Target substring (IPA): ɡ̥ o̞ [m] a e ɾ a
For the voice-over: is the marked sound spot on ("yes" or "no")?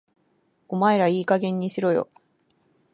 yes